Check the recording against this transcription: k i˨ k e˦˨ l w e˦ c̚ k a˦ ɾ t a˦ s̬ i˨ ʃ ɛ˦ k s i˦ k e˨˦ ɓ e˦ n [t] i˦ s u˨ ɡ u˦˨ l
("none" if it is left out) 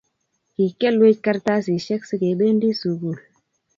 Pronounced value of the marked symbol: d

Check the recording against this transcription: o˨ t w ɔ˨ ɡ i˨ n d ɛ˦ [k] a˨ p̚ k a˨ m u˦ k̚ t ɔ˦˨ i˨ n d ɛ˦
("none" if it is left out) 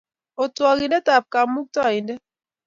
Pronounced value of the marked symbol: t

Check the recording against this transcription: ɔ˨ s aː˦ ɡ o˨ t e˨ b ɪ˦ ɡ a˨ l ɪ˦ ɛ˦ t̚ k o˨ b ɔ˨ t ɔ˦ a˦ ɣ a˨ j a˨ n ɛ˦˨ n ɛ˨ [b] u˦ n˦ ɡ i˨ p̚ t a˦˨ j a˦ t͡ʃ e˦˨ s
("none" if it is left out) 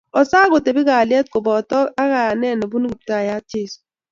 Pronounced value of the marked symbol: b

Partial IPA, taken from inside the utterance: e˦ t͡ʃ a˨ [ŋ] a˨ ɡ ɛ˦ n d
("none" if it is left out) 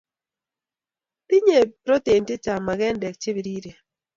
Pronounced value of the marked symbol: m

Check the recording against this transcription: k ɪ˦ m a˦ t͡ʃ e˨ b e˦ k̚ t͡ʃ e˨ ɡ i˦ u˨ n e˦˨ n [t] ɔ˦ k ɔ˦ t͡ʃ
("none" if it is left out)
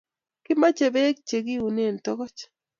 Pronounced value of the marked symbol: t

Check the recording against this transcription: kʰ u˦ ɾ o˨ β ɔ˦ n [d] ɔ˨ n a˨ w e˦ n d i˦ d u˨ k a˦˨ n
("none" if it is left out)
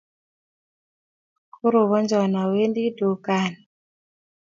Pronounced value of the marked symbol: d͡ʒ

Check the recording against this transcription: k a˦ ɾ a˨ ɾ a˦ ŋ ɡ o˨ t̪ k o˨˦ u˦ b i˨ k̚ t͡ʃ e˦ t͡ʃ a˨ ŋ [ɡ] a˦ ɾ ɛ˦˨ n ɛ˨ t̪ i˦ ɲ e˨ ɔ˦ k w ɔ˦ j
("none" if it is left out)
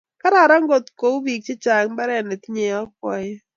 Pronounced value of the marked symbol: b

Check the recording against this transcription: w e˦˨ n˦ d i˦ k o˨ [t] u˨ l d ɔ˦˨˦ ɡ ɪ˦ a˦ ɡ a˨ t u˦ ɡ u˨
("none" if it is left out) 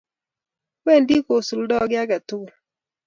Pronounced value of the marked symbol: s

